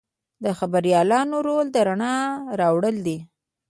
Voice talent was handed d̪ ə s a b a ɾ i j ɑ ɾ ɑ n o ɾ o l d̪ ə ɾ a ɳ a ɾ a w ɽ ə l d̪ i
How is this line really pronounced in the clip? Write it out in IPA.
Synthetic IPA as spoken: d̪ ə x a b a ɾ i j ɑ l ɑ n o ɾ o l d̪ ə ɾ a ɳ ɑ ɾ ɑ w ɽ ə l d̪ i